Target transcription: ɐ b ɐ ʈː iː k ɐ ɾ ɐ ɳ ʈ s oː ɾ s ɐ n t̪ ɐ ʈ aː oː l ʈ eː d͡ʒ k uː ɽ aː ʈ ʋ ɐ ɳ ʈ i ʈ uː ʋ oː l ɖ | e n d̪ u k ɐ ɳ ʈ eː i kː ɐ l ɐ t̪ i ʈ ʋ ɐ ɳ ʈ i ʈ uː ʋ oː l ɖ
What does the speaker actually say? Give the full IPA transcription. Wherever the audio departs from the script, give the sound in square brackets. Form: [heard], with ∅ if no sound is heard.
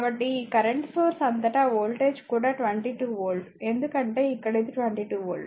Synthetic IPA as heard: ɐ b ɐ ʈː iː k ɐ ɾ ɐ ɳ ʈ s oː ɾ s ɐ n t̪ ɐ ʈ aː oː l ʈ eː d͡ʒ k uː ɽ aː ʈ ʋ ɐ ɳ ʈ i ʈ uː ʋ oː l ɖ | e n d̪ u k ɐ ɳ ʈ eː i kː ɐ [ɽ] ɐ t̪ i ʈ ʋ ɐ ɳ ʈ i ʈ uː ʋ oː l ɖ